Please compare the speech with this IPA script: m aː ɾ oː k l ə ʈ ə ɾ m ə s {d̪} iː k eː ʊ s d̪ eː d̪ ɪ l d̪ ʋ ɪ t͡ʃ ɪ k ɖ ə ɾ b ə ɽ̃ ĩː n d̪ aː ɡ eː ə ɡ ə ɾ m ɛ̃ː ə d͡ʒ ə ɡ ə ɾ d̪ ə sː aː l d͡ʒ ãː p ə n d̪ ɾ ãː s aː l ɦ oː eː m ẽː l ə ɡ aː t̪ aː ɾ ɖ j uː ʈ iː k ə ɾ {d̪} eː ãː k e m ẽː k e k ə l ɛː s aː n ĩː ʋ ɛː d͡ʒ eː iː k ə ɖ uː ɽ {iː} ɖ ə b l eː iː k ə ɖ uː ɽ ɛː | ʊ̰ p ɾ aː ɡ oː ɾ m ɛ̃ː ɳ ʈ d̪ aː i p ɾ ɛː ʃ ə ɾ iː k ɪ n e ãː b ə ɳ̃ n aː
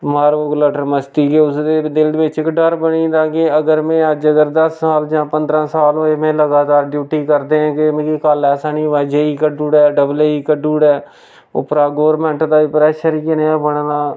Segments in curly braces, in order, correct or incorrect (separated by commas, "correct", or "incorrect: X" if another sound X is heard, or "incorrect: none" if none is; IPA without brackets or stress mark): incorrect: t̪, correct, incorrect: ɛː